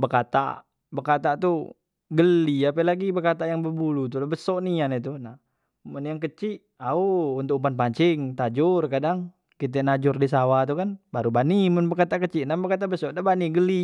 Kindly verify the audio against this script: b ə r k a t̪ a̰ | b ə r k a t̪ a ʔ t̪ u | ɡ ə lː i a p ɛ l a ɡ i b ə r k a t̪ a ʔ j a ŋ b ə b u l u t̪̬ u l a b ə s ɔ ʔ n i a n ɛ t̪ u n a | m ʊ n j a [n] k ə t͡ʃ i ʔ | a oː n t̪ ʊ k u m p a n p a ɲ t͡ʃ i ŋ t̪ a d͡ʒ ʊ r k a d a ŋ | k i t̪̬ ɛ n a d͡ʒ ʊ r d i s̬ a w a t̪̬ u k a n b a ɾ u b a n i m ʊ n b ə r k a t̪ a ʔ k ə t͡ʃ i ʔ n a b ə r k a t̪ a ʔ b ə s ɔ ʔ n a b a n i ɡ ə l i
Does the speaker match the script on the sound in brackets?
no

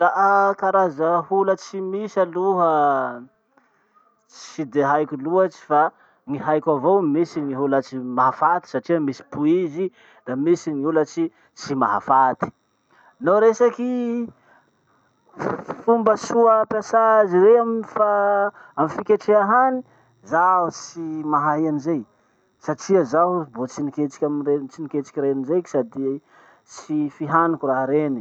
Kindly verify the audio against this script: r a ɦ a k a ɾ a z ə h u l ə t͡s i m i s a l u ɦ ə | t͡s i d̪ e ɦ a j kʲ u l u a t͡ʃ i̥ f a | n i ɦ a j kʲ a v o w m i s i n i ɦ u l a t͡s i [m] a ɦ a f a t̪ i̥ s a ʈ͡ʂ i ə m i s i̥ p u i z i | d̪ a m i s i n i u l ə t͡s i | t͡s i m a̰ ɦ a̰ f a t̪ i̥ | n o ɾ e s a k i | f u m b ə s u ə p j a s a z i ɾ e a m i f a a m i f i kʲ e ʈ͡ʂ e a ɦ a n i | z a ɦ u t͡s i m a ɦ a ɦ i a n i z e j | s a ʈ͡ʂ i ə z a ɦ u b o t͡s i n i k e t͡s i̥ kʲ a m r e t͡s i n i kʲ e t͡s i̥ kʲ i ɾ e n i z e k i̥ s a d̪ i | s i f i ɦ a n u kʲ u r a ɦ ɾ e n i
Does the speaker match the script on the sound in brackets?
yes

